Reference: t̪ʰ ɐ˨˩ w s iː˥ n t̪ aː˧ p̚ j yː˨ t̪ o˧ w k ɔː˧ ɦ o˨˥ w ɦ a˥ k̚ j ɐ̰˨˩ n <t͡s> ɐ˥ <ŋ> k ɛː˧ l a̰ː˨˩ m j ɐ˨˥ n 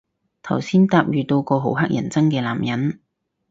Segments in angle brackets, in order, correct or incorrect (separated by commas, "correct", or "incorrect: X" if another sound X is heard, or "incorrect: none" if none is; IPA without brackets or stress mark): correct, correct